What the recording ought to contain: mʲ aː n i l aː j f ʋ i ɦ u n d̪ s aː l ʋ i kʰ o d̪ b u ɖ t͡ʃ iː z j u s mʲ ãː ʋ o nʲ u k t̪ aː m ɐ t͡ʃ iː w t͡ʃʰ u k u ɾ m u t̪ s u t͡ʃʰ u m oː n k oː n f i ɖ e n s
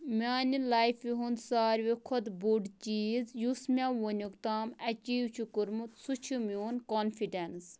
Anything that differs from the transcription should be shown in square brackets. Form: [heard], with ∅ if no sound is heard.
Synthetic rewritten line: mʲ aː n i l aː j f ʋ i ɦ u n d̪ s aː [ɾ] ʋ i kʰ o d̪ b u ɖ t͡ʃ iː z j u s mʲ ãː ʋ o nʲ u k t̪ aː m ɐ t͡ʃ iː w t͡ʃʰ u k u ɾ m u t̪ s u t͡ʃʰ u m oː n k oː n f i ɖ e n s